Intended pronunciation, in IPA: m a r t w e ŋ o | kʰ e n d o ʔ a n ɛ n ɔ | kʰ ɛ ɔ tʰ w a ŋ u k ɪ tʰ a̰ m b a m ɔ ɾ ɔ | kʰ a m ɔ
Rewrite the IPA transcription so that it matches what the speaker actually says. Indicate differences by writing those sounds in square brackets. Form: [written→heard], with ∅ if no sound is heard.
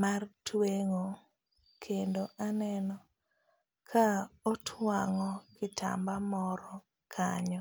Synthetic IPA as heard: m a r t w e ŋ o | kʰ e n d o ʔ a n ɛ n ɔ | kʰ [ɛ→a] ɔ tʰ w a ŋ [u→ɔ] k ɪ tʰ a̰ m b a m ɔ ɾ ɔ | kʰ a [m→ɲ] ɔ